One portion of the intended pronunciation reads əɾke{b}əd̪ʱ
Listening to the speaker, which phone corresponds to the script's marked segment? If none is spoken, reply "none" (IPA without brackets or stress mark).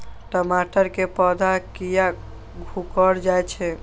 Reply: p